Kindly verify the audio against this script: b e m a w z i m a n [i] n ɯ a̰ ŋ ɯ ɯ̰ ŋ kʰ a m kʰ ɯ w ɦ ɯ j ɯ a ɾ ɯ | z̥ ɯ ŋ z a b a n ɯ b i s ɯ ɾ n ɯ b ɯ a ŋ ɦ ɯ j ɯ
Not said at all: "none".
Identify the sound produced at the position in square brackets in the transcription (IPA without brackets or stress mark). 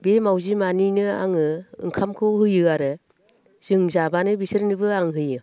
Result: i